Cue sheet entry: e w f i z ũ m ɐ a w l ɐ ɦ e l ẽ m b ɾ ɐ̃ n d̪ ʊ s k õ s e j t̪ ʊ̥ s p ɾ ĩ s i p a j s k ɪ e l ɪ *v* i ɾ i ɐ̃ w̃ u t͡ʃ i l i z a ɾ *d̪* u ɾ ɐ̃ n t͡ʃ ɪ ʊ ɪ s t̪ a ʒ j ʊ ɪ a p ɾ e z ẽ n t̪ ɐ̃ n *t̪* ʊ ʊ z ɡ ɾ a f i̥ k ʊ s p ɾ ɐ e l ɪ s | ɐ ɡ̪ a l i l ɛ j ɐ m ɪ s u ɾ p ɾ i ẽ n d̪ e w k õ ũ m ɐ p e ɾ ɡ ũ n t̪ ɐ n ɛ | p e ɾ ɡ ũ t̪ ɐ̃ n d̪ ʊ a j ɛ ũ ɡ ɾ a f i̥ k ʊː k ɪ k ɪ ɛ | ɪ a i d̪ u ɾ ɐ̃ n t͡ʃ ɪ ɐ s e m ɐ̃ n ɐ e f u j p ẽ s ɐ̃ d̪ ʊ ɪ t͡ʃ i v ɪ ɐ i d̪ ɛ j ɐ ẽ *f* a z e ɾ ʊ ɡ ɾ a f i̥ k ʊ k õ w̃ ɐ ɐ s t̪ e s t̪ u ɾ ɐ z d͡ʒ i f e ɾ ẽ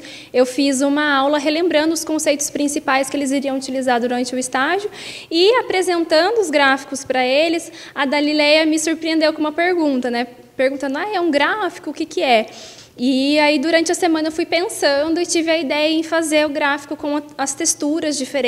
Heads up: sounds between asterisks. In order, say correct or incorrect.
incorrect, correct, incorrect, correct

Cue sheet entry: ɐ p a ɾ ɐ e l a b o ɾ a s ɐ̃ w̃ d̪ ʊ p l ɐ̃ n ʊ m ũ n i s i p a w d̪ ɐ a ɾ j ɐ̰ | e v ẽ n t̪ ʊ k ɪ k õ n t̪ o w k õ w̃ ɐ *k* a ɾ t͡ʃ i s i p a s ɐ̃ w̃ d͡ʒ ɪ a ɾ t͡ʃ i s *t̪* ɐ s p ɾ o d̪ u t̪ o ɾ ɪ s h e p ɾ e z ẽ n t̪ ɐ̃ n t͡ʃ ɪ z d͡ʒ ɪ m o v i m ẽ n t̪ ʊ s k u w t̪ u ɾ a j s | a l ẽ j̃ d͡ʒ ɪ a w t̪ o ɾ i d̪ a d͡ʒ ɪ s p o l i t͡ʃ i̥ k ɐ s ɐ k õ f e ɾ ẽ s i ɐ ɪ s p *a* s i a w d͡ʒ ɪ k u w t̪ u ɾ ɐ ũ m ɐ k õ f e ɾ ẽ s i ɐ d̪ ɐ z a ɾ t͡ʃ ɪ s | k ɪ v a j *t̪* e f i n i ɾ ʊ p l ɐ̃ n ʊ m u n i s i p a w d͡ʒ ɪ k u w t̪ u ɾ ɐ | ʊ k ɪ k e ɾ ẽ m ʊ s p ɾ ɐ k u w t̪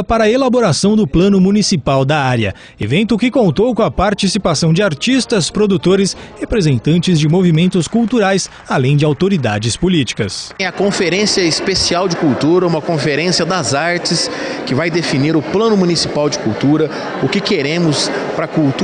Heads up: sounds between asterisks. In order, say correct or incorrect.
incorrect, correct, incorrect, incorrect

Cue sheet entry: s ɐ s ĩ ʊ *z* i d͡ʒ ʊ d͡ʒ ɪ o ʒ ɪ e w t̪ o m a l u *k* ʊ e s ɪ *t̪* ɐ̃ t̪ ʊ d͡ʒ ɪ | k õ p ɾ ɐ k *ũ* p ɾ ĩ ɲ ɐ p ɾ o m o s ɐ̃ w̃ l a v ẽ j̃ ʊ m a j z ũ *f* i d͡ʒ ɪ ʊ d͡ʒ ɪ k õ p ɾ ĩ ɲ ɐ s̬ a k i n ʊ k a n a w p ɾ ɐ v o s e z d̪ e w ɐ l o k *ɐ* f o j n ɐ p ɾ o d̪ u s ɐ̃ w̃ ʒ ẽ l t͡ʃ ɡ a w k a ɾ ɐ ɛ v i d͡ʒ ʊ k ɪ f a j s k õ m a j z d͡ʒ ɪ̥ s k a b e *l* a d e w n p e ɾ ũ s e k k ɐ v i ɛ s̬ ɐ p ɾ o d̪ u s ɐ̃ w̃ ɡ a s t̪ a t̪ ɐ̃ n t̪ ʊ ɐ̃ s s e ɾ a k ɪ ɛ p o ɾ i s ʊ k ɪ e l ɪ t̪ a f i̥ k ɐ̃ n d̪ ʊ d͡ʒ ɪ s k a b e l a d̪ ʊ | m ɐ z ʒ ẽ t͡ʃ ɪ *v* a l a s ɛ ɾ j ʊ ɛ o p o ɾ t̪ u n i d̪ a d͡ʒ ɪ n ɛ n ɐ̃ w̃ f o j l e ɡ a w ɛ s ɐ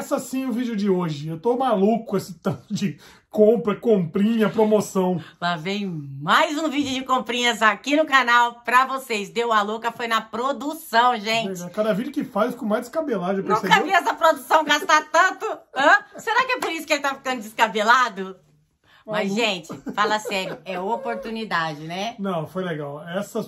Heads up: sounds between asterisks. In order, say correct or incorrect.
incorrect, correct, correct, incorrect, incorrect, correct, correct, incorrect

